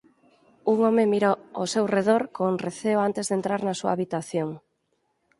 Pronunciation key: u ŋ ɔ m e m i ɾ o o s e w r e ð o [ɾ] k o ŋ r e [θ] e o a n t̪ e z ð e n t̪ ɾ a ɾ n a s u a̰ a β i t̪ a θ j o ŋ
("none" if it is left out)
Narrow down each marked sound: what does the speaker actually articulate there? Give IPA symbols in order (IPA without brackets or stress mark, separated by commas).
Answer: ɾ, θ